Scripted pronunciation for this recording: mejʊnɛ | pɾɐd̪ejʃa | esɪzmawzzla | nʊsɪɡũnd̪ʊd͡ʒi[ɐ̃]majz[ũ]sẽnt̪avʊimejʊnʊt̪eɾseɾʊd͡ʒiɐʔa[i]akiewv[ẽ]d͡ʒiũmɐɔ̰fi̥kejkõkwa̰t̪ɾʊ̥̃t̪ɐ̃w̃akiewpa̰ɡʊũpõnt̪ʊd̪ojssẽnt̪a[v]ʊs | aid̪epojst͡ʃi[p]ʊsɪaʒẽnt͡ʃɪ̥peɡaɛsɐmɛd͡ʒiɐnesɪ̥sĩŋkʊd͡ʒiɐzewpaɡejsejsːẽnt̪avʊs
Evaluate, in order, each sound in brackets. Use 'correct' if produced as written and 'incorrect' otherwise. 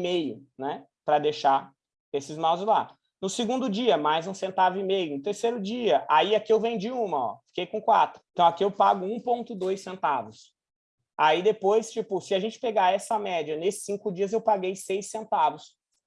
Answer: incorrect: ɐ, correct, correct, correct, correct, correct

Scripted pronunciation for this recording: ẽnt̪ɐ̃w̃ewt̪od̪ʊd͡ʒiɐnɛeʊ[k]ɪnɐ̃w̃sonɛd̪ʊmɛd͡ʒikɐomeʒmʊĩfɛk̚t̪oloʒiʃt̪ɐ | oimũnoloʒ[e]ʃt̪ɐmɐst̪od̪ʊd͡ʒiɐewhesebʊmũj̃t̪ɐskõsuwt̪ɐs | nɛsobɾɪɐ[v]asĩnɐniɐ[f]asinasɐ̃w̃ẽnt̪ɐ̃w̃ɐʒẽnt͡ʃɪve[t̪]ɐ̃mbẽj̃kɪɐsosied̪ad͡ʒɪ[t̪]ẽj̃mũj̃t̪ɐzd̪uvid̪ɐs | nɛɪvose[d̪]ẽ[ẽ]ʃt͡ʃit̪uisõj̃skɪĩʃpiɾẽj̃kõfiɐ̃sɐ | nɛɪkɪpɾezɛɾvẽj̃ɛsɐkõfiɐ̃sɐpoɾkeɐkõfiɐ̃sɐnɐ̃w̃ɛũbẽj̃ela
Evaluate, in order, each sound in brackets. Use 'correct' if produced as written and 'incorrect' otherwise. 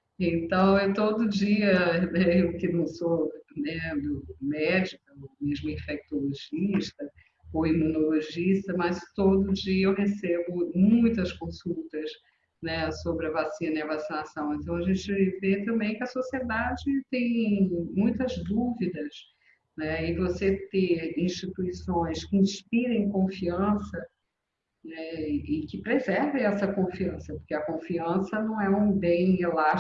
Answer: correct, incorrect: i, correct, incorrect: v, correct, correct, incorrect: t̪, incorrect: ĩ

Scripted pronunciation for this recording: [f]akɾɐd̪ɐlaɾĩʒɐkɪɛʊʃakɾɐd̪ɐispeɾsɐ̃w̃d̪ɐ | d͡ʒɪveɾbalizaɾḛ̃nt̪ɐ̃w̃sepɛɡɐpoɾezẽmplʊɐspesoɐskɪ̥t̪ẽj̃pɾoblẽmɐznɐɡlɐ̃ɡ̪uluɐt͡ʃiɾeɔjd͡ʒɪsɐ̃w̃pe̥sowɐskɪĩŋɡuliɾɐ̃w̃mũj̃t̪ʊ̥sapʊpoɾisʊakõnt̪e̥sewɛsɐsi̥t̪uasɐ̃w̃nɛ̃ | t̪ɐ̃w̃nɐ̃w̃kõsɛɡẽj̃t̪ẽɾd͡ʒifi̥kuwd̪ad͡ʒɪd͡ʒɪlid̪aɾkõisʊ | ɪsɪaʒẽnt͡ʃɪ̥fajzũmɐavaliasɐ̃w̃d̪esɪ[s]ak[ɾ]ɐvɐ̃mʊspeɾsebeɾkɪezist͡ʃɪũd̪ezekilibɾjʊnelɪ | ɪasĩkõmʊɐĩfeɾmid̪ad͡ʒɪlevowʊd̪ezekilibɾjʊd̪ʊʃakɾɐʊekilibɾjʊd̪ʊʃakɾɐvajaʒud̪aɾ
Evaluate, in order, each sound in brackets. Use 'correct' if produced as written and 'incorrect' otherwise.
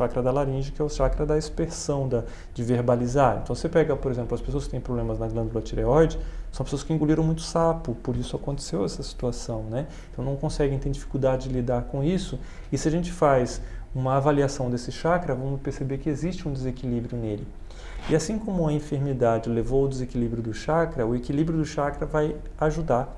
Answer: incorrect: ʃ, incorrect: ʃ, correct

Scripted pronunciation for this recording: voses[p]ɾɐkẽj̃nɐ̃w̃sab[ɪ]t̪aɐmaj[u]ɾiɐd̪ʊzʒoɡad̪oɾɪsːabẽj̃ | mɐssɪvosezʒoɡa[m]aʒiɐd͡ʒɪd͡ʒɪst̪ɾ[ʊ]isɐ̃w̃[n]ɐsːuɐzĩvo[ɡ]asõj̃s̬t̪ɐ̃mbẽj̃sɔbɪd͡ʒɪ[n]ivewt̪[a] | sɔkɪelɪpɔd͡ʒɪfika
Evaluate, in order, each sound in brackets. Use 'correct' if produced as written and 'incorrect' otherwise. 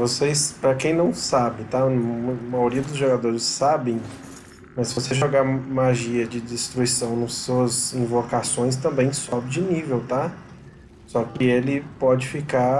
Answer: correct, correct, incorrect: o, correct, incorrect: u, correct, incorrect: k, correct, correct

